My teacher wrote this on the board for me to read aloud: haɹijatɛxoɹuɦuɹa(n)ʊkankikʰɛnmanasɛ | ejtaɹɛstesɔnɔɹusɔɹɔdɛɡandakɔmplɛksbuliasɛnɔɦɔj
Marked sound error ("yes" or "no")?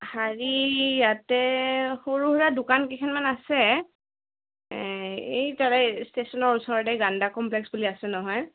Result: yes